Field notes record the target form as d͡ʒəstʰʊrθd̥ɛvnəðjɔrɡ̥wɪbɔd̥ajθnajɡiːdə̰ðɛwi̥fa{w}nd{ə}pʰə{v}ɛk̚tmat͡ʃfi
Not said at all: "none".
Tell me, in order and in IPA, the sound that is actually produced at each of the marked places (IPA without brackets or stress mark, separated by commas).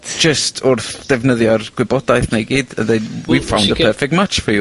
w, ə, f